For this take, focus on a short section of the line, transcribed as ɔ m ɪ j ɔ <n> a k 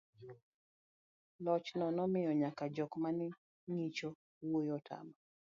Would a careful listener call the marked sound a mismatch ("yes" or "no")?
yes